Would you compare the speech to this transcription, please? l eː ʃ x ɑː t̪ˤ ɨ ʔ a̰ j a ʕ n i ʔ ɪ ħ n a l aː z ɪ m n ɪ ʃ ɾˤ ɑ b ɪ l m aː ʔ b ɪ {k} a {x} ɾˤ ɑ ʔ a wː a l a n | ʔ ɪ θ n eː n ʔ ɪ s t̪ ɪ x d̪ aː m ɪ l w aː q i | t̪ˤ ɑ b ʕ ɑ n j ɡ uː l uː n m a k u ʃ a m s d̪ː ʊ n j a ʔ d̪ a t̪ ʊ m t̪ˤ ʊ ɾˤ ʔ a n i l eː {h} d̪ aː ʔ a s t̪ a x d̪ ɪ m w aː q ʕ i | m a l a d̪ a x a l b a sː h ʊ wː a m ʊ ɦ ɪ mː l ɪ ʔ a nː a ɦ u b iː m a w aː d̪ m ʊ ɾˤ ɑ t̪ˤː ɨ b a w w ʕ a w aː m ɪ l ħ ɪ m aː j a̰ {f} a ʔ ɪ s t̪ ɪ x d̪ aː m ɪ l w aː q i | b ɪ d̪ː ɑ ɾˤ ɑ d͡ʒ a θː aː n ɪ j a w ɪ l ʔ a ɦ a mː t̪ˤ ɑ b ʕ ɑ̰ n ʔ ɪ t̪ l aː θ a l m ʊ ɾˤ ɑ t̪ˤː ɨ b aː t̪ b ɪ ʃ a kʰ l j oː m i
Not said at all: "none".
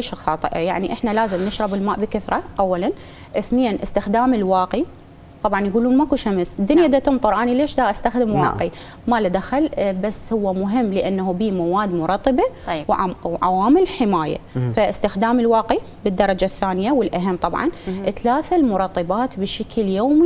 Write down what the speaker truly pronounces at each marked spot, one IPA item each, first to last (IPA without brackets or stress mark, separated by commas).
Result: k, θ, ʃ, f